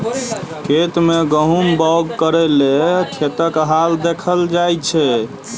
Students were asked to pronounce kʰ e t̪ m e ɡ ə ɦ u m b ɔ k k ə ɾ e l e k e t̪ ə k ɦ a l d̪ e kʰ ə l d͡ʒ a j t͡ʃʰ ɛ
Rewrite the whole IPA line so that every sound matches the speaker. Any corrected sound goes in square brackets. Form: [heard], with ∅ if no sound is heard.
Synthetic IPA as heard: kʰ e t̪ m e ɡ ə ɦ u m b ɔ [ɡ] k ə ɾ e l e [kʰ] e t̪ ə k ɦ a l d̪ e kʰ ə l d͡ʒ a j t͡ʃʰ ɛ